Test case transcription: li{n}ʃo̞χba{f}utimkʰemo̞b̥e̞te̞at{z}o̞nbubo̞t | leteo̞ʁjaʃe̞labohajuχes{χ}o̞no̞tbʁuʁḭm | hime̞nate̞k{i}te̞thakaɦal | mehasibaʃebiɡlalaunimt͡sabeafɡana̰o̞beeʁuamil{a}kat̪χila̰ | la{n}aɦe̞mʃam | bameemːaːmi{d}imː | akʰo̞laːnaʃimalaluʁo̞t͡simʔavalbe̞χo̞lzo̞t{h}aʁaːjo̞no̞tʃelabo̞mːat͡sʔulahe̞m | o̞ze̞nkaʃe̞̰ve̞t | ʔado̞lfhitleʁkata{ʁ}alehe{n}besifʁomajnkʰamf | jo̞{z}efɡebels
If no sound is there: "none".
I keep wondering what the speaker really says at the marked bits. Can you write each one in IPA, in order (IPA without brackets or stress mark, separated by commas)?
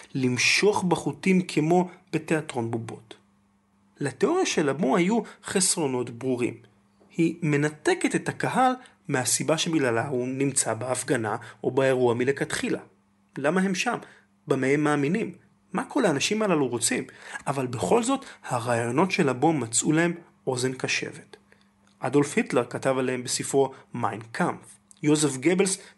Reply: m, χ, ʁ, ʁ, e, e, m, n, h, v, m, z